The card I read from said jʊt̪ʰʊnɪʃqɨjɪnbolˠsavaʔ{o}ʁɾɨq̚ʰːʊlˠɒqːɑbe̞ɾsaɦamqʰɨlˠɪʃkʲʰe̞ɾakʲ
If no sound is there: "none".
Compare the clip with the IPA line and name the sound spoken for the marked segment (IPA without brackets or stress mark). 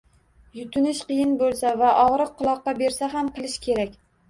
ɒ